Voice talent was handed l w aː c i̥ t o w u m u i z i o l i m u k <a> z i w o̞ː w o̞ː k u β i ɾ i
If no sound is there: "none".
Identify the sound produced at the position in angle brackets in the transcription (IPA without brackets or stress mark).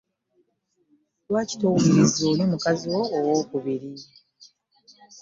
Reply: a